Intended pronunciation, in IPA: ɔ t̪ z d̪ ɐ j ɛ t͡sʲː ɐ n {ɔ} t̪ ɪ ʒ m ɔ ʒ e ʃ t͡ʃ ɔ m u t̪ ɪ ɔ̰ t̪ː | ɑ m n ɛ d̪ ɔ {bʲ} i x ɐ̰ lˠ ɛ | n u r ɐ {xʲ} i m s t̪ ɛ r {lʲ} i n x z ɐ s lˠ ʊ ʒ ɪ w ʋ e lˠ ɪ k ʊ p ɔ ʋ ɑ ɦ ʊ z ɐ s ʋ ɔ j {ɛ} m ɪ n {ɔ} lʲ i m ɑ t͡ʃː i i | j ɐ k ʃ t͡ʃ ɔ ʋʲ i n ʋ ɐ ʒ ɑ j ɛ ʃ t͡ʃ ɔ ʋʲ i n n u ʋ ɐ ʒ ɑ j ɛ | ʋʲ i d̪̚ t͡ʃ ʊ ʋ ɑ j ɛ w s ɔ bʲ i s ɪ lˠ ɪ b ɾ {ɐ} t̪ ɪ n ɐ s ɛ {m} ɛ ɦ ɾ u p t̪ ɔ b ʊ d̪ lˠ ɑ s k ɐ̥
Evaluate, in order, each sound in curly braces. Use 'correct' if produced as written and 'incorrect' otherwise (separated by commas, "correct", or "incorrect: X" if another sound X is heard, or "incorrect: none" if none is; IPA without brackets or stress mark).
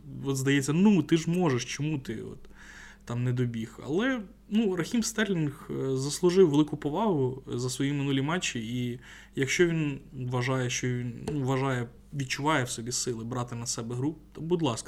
incorrect: u, correct, correct, correct, incorrect: i, incorrect: u, incorrect: ɑ, incorrect: b